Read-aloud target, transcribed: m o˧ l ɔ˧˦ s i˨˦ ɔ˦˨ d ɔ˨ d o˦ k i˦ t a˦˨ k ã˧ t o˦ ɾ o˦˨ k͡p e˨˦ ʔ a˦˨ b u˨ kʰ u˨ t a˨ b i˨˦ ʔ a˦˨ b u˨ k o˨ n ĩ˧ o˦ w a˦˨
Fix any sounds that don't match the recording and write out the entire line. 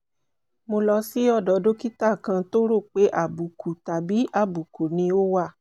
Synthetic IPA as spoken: m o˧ l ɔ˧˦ s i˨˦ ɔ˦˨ d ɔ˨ d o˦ k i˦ t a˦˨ k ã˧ t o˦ ɾ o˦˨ k͡p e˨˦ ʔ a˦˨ b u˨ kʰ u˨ t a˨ b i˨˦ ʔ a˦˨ b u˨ k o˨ n ĩ˧ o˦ w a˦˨

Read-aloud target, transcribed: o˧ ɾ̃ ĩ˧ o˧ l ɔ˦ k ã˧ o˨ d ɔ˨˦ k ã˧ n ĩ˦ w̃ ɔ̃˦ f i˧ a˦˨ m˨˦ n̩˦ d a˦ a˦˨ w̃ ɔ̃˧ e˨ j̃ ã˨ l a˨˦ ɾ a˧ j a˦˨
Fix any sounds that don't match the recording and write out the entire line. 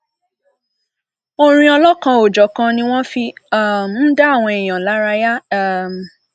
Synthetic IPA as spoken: o˧ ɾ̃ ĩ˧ ɔ˧ l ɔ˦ k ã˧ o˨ d͡ʒ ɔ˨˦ k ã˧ n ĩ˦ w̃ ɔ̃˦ f i˧ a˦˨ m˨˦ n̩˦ d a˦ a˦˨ w̃ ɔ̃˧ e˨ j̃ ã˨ l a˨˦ ɾ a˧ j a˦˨

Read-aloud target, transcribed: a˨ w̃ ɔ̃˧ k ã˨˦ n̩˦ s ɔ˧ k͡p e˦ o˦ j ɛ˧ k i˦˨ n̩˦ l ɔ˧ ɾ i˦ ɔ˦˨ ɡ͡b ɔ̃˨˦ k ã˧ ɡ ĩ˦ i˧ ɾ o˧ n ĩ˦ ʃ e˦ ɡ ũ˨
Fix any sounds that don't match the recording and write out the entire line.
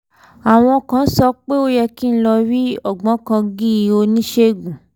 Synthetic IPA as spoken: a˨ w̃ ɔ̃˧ k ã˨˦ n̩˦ s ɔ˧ k͡p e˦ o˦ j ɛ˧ k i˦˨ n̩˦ l ɔ˧ ɾ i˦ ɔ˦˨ ɡ͡b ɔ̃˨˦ k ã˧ ɡ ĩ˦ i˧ o˧ n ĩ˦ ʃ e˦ ɡ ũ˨

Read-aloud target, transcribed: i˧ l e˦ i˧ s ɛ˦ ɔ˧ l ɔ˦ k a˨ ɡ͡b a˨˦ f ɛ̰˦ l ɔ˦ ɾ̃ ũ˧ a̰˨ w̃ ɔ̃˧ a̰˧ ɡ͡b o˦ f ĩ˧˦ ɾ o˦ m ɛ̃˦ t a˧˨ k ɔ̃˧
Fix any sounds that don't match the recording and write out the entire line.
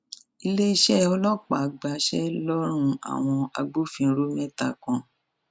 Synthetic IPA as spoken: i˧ l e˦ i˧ ʃ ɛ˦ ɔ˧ l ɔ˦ k͡p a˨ ɡ͡b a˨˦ ʃ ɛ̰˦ l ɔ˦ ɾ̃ ũ˧ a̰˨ w̃ ɔ̃˧ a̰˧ ɡ͡b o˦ f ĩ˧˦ ɾ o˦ m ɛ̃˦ t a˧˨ k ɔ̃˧

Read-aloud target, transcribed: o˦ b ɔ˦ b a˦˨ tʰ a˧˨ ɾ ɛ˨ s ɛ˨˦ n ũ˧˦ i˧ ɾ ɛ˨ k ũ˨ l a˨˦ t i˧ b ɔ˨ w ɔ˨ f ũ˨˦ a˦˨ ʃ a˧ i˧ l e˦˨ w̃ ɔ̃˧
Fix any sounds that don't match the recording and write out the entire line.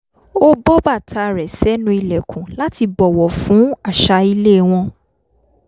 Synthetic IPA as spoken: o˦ b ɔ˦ b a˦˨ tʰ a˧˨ ɾ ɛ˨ s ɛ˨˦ n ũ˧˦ i˧ l ɛ˨ k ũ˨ l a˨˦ t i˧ b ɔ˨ w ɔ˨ f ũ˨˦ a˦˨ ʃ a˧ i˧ l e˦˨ w̃ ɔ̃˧

